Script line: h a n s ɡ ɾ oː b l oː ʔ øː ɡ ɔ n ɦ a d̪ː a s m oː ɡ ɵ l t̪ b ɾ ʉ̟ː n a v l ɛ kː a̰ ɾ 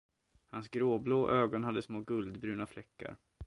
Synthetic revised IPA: h a n s ɡ ɾ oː b l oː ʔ øː ɡ ɔ n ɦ a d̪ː ə s m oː ɡ ɵ l d̪ b ɾ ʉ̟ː n a f l ɛ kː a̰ ɾ